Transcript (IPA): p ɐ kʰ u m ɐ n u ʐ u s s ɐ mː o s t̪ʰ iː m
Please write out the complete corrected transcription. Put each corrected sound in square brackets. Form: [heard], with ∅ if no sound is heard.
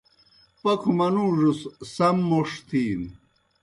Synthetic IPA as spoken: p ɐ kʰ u m ɐ n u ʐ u s s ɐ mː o [ʂ] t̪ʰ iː [n]